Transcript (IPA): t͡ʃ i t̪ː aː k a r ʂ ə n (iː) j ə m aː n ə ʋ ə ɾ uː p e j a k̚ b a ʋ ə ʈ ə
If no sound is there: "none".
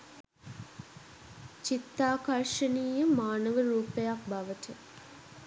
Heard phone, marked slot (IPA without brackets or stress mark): iː